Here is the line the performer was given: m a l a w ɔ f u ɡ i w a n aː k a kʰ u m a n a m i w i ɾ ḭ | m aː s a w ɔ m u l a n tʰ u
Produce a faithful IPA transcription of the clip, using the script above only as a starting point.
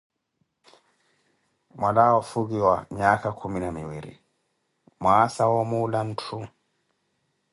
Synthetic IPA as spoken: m a l a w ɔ f u ɡ i w a ɲ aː k a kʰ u m i n a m i w i ɾ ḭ | m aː s a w ɔ m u l a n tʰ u